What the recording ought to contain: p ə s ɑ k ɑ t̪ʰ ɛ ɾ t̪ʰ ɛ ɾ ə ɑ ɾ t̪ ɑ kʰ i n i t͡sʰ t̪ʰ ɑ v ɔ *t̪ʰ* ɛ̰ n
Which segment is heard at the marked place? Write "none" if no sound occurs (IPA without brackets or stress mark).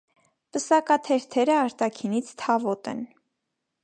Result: t̪